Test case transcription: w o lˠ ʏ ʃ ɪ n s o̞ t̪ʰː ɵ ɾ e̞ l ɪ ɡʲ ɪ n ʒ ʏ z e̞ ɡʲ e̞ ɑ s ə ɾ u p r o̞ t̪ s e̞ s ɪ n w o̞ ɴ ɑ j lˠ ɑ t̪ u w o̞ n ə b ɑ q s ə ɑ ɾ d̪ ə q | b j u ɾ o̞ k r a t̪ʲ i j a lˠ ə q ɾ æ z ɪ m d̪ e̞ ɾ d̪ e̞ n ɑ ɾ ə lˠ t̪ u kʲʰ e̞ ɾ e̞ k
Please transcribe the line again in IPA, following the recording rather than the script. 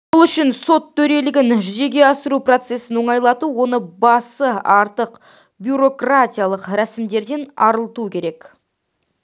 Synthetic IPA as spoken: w o lˠ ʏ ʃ ɪ n s o̞ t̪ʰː ɵ ɾ e̞ l ɪ ɡʲ ɪ n ʒ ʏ z e̞ ɡʲ e̞ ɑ s ə ɾ u p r o̞ t̪ s e̞ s ɪ n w o̞ ɴ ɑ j lˠ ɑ t̪ u w o̞ n ə b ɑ s ə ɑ ɾ t̪ ə q | b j u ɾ o̞ k r a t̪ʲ i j a lˠ ə q ɾ æ s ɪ m d̪ e̞ ɾ d̪ e̞ n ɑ ɾ ə lˠ t̪ u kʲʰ e̞ ɾ e̞ k